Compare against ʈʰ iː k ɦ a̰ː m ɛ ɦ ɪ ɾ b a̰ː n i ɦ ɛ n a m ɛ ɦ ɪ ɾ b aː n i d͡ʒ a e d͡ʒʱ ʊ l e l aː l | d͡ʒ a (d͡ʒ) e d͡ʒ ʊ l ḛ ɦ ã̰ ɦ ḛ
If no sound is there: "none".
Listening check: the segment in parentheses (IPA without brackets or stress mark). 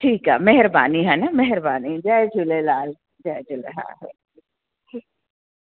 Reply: none